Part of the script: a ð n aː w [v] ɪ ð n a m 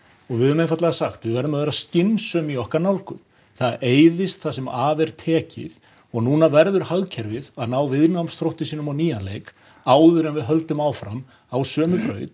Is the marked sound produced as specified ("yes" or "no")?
yes